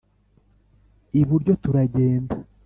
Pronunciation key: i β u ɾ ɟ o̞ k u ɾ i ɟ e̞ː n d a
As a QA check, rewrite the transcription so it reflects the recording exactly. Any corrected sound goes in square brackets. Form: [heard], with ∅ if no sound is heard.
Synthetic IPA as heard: i β u ɾ ɟ o̞ [t] u ɾ [a] ɟ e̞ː n d a